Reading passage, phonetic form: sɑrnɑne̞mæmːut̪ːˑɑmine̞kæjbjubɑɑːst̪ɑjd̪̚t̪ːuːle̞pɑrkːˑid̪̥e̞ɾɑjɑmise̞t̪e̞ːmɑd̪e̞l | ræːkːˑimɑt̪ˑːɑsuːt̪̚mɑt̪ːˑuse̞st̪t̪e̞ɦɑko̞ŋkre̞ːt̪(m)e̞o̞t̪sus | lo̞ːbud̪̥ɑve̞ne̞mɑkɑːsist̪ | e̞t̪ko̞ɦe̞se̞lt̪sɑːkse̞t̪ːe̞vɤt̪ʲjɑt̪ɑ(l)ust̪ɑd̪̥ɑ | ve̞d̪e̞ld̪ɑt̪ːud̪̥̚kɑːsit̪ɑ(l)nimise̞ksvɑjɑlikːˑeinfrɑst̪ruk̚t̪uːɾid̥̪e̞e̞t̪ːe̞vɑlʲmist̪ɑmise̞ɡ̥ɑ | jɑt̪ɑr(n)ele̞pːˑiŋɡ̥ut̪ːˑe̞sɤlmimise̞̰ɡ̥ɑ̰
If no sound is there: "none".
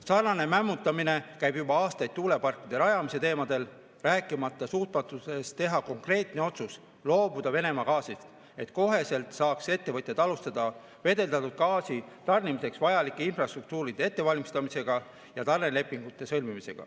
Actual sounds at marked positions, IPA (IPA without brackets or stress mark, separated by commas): n, l, r, n